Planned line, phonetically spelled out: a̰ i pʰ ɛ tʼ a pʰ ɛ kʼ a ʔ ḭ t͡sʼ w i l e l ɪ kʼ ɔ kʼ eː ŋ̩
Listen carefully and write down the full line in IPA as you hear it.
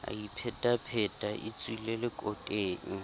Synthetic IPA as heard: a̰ i pʰ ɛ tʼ a pʰ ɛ tʼ a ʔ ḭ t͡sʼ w i l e l ɪ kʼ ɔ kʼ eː ŋ̩